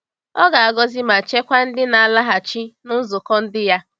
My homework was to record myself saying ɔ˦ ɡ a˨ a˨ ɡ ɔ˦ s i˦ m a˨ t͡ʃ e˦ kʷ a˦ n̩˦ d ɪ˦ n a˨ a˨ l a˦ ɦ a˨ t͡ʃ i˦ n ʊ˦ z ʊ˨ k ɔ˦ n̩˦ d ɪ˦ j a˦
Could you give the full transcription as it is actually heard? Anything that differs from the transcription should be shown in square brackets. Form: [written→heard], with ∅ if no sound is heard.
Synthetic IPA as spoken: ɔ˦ ɡ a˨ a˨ ɡ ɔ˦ [s→z] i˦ m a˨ t͡ʃ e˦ kʷ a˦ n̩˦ d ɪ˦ n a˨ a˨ l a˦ ɦ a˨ t͡ʃ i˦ n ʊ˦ z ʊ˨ k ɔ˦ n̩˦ d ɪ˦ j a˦